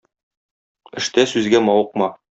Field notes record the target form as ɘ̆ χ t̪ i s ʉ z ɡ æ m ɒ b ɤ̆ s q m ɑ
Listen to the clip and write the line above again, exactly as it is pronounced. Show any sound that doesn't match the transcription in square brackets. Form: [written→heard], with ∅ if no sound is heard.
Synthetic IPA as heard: ɘ̆ [χ→ʃ] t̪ [i→æ] s ʉ z ɡ æ m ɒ [b→w] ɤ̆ [s→∅] q m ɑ